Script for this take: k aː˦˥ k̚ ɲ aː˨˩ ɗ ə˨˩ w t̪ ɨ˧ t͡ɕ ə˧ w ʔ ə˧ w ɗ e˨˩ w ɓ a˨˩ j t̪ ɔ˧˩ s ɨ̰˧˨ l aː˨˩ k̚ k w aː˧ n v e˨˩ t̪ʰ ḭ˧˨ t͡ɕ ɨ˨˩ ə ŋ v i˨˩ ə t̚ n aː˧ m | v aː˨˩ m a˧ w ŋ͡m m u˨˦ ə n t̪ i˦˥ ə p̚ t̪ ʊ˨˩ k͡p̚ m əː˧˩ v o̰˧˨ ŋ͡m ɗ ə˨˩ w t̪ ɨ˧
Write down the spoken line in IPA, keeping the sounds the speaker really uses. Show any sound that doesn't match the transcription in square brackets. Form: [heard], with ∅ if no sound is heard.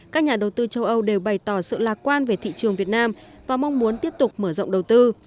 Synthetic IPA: k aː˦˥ k̚ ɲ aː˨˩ ɗ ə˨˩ w t̪ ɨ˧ t͡ɕ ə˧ w ʔ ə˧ w ɗ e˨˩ w ɓ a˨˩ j t̪ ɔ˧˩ s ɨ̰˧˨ l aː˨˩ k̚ k w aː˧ n v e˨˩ t̪ʰ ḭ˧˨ t͡ɕ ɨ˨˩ ə ŋ v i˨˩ ə t̚ n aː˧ m | v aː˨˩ m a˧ w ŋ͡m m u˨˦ ə n t̪ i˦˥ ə p̚ t̪ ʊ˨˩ k͡p̚ m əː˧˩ [z] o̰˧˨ ŋ͡m ɗ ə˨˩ w t̪ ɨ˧